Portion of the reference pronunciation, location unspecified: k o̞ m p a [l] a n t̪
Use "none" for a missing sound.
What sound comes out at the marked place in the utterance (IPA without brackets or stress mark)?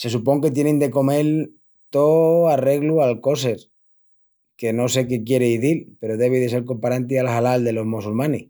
ɾ